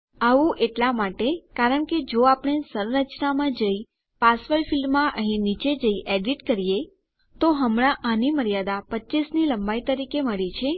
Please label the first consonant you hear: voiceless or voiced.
voiced